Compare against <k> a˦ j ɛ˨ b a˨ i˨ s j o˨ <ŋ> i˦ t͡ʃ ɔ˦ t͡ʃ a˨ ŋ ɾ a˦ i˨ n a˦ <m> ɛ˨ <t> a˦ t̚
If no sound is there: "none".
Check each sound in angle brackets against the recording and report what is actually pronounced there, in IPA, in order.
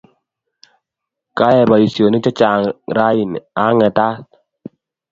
k, n, ŋ, t

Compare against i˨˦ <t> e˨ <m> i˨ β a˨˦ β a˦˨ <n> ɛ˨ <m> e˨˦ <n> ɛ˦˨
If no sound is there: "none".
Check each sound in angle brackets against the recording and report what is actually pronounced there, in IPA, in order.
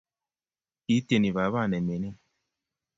t, n, n, m, n

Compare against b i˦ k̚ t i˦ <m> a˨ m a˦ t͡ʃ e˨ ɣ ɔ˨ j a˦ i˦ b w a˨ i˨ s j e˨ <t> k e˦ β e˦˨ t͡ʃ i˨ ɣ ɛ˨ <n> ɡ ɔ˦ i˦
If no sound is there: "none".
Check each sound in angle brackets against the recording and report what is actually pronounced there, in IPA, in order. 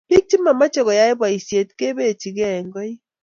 m, t, ŋ

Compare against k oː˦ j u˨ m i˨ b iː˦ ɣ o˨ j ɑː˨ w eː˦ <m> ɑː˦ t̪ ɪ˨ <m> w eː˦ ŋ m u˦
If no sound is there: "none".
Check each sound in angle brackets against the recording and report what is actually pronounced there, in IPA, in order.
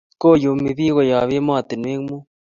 m, n

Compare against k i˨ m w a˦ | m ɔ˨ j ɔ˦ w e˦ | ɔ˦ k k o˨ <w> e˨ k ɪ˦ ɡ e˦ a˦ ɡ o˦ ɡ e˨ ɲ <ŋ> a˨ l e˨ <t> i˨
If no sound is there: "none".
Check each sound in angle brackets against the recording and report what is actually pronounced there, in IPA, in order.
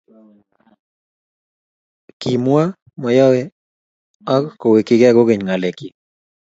w, ŋ, k

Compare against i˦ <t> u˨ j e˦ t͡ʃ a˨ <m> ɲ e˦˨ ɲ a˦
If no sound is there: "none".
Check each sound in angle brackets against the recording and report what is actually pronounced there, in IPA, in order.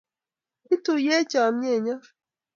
t, m

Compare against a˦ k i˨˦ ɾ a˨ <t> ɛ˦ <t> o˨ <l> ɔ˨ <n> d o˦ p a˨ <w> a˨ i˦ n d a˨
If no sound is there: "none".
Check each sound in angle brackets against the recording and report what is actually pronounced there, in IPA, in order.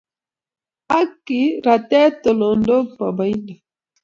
t, t, l, n, b

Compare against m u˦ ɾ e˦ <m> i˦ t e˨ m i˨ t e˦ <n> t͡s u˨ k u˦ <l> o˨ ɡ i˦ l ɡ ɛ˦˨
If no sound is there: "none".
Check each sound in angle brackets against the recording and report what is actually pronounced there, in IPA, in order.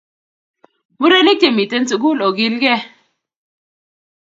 n, n, l

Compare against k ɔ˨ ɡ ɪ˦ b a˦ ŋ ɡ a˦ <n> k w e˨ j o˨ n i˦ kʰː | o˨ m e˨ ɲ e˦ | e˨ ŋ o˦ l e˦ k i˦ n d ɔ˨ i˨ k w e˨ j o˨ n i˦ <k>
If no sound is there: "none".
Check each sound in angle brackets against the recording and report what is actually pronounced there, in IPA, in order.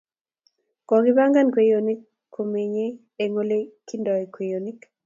n, k

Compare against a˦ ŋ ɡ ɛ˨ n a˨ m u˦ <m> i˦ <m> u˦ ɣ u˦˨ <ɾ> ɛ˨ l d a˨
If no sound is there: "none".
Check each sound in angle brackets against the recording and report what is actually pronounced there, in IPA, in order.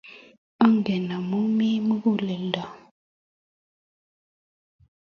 m, m, l

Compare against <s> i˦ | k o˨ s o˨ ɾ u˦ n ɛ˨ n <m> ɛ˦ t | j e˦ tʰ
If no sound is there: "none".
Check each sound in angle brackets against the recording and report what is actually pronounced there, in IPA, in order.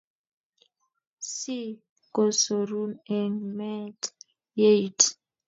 s, m

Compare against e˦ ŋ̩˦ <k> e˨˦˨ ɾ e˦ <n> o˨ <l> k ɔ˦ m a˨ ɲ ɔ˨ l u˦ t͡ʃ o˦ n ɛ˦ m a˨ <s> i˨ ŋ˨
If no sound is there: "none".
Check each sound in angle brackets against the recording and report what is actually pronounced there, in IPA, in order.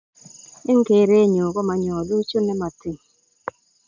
k, ɲ, none, t

